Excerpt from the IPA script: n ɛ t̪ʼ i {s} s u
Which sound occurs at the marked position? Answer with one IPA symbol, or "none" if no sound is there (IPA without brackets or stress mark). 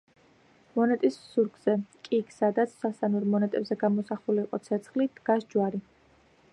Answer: s